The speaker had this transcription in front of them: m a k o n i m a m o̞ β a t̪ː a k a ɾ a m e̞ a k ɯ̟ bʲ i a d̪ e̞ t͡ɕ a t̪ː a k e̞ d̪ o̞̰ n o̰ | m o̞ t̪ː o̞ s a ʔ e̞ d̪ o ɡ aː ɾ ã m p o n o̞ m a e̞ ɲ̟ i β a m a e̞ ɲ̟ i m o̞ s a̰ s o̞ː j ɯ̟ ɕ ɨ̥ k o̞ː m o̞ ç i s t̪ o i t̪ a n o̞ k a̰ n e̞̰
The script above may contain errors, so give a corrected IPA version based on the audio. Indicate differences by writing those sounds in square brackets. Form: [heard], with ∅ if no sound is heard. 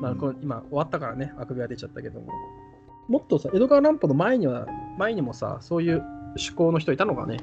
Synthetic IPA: m a k o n i m a [∅] o̞ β a t̪ː a k a ɾ a [n] e̞ a k ɯ̟ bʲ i a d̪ e̞ t͡ɕ a t̪ː a k e̞ d̪ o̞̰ [m] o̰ | m o̞ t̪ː o̞ s a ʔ e̞ d̪ o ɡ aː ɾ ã m p o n o̞ m a e̞ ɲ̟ i β a m a e̞ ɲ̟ i m o̞ s a̰ s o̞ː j [ɯ̟ː] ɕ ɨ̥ k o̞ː [n] o̞ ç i [∅] t̪ o i t̪ a n o̞ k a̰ n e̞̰